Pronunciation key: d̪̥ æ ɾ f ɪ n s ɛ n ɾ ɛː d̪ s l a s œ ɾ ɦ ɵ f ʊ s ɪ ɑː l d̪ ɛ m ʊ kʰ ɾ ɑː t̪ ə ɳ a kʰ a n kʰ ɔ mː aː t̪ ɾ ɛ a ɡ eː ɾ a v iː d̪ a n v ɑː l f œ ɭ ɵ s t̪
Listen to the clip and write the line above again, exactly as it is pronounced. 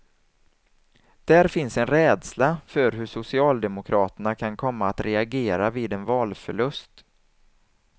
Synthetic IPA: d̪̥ æ ɾ f ɪ n s ɛ n ɾ ɛː d̪ s l a f œ ɾ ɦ ɵ ʂ ʊ s ɪ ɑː l d̪ ɛ m ʊ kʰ ɾ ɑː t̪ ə ɳ a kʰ a n kʰ ɔ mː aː t̪ ɾ ɛ a ɡ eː ɾ a v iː d̪ ɛ n v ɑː l f œ ɭ ɵ s t̪